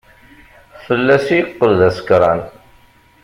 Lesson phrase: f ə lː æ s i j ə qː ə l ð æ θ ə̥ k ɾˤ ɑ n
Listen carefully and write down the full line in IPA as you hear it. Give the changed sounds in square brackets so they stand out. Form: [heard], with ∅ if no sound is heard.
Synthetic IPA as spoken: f ə lː æ s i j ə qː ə l ð æ [s] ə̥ k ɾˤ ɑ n